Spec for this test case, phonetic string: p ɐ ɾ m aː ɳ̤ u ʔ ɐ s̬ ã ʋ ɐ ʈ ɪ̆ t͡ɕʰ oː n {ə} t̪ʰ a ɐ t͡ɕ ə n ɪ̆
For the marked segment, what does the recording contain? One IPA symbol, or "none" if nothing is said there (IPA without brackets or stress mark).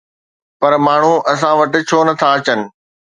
ɐ